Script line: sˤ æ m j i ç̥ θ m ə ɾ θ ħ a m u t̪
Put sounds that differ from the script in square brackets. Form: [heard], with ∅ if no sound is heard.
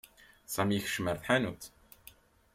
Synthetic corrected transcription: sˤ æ m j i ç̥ [ʃ] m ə ɾ θ ħ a [n] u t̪